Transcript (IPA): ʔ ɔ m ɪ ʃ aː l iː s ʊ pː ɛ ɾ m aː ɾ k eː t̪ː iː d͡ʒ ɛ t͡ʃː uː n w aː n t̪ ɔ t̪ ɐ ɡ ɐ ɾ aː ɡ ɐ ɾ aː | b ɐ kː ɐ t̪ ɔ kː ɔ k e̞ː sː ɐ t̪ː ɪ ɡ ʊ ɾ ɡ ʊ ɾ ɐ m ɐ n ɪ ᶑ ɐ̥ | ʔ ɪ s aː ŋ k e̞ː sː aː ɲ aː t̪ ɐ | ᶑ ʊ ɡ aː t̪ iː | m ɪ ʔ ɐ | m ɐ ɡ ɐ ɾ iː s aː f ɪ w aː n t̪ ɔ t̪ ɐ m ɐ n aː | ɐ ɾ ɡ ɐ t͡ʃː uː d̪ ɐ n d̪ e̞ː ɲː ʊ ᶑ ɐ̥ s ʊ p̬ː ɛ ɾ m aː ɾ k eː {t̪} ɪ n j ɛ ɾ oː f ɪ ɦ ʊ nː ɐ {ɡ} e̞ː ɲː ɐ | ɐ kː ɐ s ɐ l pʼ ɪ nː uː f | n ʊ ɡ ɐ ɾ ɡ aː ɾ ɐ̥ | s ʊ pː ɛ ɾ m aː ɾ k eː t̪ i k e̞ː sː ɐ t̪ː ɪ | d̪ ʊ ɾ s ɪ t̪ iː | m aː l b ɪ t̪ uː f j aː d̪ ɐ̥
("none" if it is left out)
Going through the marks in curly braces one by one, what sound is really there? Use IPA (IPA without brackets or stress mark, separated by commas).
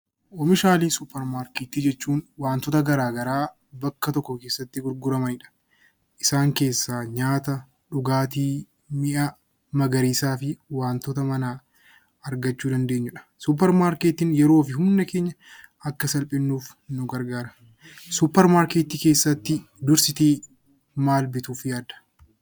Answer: t̪, k